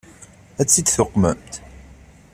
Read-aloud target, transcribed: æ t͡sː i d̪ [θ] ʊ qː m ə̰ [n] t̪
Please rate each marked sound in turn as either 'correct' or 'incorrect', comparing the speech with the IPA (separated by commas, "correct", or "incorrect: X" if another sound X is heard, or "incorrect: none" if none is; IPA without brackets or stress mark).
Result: correct, incorrect: m